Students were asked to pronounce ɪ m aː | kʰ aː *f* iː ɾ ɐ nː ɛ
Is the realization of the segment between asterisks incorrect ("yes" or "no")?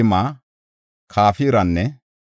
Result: no